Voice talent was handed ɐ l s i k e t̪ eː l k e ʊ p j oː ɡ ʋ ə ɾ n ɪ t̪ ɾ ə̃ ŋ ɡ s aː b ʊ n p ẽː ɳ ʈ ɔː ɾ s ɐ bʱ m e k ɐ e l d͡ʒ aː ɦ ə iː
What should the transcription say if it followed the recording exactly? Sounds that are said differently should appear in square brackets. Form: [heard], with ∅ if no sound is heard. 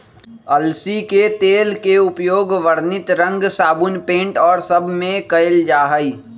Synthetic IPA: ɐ l s i k e t̪ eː l k e ʊ p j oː ɡ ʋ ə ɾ n ɪ t̪ ɾ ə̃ ŋ ɡ s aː b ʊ n p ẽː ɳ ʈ ɔː ɾ s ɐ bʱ m [ẽ] k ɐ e l d͡ʒ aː ɦ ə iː

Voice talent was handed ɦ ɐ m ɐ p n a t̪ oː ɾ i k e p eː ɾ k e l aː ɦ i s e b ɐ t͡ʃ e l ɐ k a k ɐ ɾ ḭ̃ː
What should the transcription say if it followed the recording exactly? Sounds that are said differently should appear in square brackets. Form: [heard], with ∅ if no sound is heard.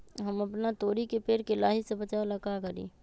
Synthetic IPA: ɦ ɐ m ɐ p n a t̪ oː ɾ i k e p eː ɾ k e l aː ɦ i s e b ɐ t͡ʃ [a] l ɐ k a k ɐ ɾ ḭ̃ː

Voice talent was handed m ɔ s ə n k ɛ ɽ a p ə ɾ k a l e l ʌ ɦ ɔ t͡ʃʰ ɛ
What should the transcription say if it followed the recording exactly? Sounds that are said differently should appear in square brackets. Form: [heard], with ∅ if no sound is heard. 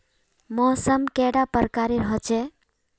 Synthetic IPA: m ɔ s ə [m] k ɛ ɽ a p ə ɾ k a [ɾ] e [ɾ] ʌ ɦ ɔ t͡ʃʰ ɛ

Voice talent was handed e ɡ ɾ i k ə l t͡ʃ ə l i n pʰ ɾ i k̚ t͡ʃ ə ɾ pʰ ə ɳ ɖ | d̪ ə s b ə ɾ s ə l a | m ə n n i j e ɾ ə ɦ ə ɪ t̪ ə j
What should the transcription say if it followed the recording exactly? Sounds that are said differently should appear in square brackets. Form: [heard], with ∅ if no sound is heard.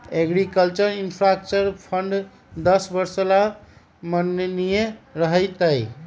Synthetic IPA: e ɡ ɾ i k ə l t͡ʃ ə [ɾ] i n pʰ ɾ [a] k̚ t͡ʃ ə ɾ pʰ ə ɳ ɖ | d̪ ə s b ə ɾ s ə l a | m ə n n i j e ɾ ə ɦ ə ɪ t̪ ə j

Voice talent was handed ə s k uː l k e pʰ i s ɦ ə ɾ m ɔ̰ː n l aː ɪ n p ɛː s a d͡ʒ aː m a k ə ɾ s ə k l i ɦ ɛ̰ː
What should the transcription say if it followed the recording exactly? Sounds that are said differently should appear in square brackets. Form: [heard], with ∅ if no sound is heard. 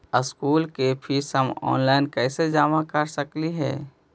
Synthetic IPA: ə s k uː l k e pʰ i s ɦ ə [∅] m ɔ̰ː n l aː ɪ n [k] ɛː s [e] d͡ʒ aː m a k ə ɾ s ə k l i ɦ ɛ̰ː

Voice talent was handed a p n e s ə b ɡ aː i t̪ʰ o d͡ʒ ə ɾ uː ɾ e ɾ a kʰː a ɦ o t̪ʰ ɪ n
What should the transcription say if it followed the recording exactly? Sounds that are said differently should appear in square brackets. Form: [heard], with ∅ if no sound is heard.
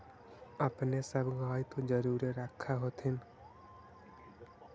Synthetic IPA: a p n e s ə b ɡ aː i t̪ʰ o d͡ʒ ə ɾ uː ɾ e ɾ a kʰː a ɦ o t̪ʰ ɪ n

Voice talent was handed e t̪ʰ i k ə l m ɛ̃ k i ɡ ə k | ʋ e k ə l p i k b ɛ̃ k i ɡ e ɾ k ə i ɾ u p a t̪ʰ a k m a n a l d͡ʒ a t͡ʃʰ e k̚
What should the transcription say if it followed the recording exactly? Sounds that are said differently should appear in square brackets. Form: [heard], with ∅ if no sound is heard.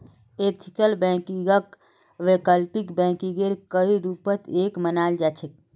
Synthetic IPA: e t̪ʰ i k ə l [b] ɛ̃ k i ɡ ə k | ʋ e k ə l p i k b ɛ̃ k i ɡ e ɾ k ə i ɾ u p [ə] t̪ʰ [e] k m [ə] n a l d͡ʒ a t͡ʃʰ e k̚

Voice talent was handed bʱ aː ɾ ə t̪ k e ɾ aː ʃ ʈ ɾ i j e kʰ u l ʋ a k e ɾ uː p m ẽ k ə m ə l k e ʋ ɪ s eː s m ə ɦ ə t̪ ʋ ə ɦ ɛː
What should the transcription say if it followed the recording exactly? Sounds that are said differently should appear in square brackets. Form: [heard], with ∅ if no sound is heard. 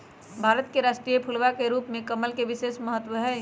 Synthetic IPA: bʱ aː ɾ ə t̪ k e ɾ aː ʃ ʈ ɾ i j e [pʰ] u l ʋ a k e ɾ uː p m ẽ k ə m ə l k e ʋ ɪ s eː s m ə ɦ ə t̪ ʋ ə ɦ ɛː

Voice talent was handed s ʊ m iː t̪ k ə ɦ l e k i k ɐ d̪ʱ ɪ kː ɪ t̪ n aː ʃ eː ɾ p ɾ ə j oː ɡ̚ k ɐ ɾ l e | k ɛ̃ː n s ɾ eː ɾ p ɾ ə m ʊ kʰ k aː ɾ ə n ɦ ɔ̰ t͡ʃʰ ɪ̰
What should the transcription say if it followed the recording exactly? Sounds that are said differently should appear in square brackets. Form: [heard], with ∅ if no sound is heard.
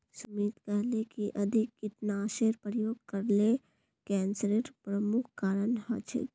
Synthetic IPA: s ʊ m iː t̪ k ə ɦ l e k i [ʔ] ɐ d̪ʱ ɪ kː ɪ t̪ n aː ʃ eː ɾ p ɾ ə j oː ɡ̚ k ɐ ɾ l e | k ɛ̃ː n s ɾ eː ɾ p ɾ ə m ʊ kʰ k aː ɾ ə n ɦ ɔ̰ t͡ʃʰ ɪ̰

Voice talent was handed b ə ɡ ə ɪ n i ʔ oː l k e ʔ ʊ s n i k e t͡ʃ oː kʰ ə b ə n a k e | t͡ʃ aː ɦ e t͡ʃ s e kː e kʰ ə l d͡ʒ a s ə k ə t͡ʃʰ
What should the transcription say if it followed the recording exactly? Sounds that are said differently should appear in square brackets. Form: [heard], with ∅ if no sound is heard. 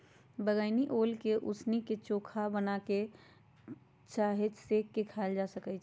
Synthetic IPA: b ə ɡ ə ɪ n i ʔ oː l k e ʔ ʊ s n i k e t͡ʃ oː kʰ [a] b ə n a k e | t͡ʃ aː ɦ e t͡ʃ s e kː e kʰ [a] l d͡ʒ a s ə k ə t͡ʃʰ

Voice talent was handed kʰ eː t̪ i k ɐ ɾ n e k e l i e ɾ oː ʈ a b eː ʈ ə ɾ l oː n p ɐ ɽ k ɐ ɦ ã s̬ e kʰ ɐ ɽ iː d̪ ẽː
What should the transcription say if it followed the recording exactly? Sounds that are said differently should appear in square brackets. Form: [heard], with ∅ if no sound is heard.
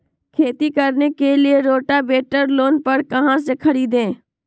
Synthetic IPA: kʰ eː t̪ i k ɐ ɾ n e k e l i e ɾ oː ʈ a b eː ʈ ə ɾ l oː n p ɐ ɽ k ɐ ɦ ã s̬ e kʰ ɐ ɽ iː d̪ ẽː

